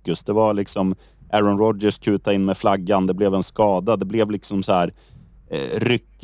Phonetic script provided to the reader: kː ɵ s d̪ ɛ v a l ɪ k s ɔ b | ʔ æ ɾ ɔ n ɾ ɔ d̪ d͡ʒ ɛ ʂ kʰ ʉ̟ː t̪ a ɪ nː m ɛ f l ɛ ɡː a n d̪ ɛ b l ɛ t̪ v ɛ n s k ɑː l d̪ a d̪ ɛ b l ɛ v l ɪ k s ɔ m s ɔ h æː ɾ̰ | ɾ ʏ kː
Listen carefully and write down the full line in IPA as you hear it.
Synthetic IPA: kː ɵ s d̪ ɛ v a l ɪ k s ɔ m | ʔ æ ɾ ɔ n ɾ ɔ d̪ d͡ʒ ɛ ʂ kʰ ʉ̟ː t̪ a ɪ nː m ɛ f l a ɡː a n d̪ ɛ b l ɛ v ɛ n s k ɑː d̪ a d̪ ɛ b l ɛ v l ɪ k s ɔ m s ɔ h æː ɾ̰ | ɾ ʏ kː